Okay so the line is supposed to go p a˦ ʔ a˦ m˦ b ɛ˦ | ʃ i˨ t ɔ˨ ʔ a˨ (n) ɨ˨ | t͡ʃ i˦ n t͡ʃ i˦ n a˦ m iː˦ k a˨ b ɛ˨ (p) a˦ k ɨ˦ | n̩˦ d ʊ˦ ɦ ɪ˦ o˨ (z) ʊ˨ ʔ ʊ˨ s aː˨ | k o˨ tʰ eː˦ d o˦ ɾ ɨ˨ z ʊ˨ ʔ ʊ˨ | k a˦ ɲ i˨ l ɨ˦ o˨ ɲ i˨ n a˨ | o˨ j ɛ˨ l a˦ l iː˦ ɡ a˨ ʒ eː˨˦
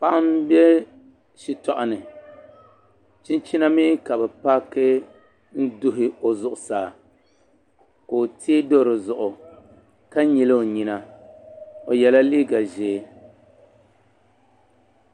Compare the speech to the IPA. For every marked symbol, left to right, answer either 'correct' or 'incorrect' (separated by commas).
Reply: correct, correct, correct